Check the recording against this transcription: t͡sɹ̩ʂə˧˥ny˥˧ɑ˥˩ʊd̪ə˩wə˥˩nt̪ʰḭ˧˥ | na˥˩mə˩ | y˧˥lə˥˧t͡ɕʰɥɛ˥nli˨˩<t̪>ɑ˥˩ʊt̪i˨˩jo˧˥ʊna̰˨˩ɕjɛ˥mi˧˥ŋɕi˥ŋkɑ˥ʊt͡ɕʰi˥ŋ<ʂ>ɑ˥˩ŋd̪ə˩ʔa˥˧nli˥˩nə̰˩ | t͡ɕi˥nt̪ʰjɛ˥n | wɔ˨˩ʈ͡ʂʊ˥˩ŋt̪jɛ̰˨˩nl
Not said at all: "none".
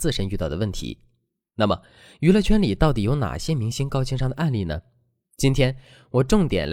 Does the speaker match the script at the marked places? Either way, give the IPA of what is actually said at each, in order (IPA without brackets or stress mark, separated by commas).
t̪, ʂ